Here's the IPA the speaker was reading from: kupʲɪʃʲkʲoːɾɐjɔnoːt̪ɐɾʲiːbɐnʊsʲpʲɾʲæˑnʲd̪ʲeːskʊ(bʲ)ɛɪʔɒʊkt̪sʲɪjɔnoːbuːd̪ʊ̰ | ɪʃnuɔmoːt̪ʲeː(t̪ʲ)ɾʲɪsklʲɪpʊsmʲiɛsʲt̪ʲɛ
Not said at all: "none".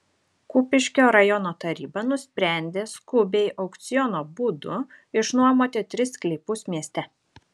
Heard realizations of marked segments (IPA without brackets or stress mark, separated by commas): bʲ, t̪ʲ